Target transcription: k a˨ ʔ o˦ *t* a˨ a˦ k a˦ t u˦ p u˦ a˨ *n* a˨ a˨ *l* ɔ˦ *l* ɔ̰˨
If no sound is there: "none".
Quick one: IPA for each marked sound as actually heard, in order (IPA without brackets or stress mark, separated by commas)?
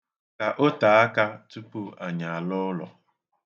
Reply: t, ɲ, l, l